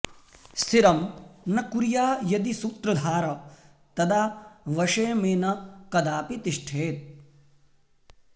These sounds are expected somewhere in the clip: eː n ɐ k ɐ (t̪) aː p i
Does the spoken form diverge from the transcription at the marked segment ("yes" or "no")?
yes